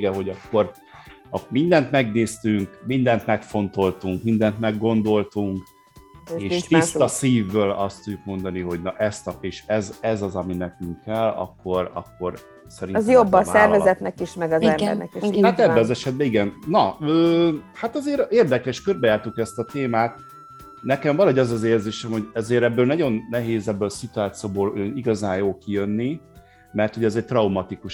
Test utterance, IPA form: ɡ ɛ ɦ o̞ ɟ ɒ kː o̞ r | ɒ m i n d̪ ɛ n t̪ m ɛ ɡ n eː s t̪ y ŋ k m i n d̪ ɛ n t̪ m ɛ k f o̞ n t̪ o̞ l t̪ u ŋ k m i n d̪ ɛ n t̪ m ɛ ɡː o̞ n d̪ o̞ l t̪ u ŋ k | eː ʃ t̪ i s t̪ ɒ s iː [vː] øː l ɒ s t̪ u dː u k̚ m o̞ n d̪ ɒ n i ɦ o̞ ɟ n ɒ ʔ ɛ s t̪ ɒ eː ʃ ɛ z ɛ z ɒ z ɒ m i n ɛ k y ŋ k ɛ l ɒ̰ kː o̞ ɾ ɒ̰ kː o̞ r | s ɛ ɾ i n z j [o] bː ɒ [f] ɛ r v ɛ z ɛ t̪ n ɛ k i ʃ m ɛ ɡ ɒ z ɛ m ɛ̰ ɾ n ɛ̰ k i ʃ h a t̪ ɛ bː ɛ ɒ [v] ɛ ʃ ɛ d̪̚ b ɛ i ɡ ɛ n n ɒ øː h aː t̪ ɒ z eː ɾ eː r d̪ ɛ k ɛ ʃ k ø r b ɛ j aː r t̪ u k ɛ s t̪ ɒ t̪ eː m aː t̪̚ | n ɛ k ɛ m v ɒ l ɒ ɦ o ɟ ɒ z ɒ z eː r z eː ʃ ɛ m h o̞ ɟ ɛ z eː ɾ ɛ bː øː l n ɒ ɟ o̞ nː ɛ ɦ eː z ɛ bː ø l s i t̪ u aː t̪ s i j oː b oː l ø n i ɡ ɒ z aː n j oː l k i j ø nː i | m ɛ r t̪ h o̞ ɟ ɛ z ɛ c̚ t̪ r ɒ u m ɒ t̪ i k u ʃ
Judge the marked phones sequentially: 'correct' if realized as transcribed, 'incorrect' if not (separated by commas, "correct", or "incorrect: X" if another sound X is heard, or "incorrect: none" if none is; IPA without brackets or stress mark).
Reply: correct, correct, incorrect: s, incorrect: z